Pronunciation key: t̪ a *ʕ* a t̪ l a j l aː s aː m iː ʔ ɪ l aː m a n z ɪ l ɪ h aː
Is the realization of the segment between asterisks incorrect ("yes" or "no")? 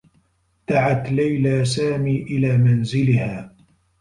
no